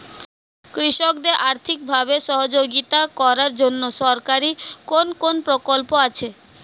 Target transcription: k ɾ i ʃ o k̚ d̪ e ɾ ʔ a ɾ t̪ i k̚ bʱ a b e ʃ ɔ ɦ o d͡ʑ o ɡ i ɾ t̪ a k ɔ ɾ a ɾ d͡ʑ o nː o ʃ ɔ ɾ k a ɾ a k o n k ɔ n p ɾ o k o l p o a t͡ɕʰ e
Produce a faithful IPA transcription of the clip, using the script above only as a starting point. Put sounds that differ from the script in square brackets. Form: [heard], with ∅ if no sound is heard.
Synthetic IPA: k ɾ i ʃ o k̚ d̪ e ɾ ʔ a ɾ [t̪ʰ] i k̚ bʱ a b e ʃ ɔ ɦ o d͡ʑ o ɡ i [∅] t̪ a k ɔ ɾ a ɾ d͡ʑ o nː o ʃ ɔ ɾ k a ɾ [i] k o n k [o] n p ɾ o k o l p o a t͡ɕʰ e